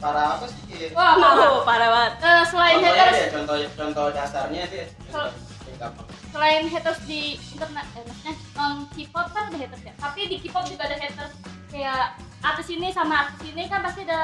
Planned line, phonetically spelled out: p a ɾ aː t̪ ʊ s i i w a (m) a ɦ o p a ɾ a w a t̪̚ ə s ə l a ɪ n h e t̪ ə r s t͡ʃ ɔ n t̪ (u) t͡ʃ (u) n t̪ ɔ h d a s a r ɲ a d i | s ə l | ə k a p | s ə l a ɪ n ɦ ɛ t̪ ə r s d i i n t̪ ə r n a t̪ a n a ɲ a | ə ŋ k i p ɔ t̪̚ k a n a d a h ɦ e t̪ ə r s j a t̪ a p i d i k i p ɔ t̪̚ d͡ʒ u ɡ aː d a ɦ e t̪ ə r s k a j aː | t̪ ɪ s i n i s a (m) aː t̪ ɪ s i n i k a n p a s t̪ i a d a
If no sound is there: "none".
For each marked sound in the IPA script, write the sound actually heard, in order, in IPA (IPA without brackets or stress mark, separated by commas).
m, ɔ, ɔ, m